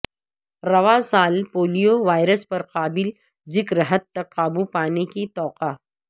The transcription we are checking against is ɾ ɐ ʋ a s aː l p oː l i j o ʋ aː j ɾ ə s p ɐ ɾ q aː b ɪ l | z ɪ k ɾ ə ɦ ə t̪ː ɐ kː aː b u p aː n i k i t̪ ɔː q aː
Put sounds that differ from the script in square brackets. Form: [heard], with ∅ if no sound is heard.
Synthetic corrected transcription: ɾ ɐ ʋ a s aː l p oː l i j o ʋ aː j ɾ ə s p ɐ ɾ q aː b ɪ l | z ɪ k ɾ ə ɦ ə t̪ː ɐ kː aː b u p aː n [e] k i t̪ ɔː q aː